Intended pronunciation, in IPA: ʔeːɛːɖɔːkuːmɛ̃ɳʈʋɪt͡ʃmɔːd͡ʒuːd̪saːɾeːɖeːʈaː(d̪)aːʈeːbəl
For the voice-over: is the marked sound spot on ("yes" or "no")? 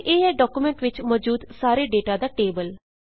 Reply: yes